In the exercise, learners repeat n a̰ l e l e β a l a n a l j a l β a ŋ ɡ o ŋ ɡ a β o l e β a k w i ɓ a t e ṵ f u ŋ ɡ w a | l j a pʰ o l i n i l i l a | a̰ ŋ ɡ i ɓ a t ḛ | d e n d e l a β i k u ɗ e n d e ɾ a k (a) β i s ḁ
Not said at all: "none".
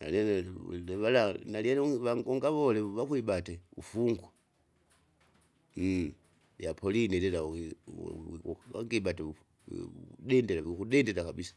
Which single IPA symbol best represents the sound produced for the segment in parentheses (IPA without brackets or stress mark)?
a